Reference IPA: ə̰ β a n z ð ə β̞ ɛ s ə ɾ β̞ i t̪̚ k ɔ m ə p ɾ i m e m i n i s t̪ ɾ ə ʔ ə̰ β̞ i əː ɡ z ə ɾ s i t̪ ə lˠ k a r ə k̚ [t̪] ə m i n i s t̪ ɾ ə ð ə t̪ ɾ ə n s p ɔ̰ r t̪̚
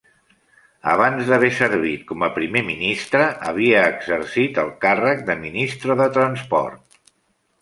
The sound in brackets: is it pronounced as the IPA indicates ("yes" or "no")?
no